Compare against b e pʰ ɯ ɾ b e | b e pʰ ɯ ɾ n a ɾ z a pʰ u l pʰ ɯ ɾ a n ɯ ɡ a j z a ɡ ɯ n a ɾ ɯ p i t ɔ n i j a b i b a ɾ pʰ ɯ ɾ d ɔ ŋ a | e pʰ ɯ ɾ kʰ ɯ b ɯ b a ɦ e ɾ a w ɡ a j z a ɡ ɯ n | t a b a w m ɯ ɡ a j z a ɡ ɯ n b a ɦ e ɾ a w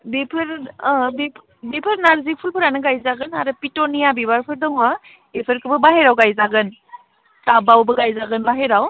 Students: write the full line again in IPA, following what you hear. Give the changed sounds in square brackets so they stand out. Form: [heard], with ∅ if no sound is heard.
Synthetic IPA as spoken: b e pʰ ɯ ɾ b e | b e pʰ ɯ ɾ n a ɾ z [i] pʰ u l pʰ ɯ ɾ a n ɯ ɡ a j z a ɡ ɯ n a ɾ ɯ p i t ɔ n i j a b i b a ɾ pʰ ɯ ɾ d ɔ ŋ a | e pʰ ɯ ɾ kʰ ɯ b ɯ b a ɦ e ɾ a w ɡ a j z a ɡ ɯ n | t a b a w [b] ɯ ɡ a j z a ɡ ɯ n b a ɦ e ɾ a w